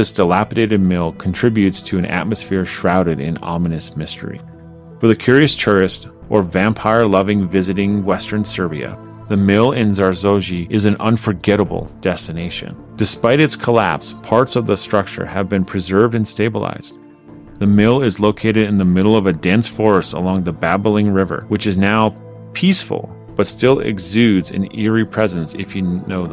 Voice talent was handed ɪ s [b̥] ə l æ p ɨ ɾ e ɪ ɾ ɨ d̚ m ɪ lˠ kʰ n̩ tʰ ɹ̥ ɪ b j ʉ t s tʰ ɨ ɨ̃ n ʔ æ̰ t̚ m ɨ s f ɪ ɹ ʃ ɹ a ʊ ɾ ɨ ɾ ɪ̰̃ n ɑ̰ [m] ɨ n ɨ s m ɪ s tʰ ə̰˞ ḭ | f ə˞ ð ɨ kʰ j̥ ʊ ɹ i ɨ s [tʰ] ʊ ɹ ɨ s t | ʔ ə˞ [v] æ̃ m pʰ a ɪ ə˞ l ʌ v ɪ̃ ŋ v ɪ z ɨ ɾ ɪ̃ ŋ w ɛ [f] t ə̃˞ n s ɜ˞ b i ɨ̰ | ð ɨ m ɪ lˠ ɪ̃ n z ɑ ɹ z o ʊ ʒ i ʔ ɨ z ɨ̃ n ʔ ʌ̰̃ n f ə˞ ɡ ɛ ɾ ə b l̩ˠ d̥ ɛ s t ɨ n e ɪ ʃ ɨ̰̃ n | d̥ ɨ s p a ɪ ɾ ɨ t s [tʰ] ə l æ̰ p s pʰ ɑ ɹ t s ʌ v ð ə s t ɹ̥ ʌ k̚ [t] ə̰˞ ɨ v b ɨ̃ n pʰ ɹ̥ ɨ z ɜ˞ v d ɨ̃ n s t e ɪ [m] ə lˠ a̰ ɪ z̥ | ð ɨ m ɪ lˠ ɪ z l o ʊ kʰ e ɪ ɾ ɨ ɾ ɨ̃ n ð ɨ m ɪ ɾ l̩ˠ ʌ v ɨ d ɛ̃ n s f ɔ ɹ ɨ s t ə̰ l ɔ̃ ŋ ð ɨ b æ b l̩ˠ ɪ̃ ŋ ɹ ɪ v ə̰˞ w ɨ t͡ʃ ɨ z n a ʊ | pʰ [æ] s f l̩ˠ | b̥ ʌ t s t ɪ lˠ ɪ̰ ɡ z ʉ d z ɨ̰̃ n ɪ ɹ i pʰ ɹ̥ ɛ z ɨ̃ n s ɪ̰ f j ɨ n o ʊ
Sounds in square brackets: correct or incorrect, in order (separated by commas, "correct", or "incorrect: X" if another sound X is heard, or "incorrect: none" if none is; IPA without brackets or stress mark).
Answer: incorrect: d̥, correct, correct, correct, incorrect: s, incorrect: kʰ, incorrect: t͡ʃ, incorrect: b, incorrect: i